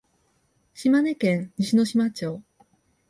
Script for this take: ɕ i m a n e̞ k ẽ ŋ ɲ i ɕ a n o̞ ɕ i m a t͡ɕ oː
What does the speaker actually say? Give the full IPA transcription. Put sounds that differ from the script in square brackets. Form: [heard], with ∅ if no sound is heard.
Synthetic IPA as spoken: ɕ i m a n e̞ k ẽ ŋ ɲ i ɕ [i] n o̞ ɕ i m a t͡ɕ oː